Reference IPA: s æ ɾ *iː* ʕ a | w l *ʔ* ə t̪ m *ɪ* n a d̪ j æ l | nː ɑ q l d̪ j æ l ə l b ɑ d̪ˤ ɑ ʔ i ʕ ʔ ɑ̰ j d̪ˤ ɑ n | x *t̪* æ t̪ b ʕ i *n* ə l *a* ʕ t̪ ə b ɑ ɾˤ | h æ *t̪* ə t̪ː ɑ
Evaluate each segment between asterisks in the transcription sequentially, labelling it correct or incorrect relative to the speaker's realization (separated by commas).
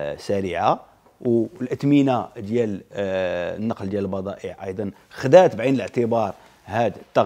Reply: incorrect, correct, incorrect, incorrect, correct, incorrect, incorrect